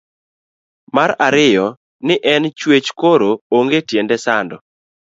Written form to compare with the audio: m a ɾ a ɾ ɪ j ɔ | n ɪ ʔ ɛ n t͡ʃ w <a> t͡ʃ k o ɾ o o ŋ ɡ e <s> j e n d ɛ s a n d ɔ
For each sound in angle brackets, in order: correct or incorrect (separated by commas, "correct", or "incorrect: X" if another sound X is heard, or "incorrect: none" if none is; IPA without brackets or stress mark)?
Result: incorrect: e, incorrect: t